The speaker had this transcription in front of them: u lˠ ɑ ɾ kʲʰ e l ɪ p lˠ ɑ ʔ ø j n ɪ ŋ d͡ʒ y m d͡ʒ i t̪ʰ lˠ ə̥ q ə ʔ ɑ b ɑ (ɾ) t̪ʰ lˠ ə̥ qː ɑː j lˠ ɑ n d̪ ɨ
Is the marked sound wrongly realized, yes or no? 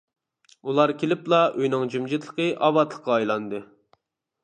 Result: yes